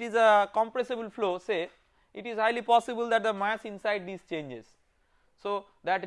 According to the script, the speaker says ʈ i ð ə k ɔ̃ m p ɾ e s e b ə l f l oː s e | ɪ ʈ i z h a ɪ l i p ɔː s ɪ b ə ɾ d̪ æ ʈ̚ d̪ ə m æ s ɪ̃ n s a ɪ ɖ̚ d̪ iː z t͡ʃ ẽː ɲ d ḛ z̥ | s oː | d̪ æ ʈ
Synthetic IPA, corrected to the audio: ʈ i z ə k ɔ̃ m p ɾ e s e b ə l f l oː s e | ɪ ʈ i z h a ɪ l i p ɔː s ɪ b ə l d̪ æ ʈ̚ d̪ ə m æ s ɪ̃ n s a ɪ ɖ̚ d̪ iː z t͡ʃ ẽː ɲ d͡ʒ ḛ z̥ | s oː | d̪ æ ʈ